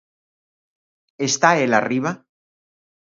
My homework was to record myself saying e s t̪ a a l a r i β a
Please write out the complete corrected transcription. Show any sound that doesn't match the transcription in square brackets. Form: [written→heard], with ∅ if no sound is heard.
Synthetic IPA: e s t̪ a [a→e] l a r i β a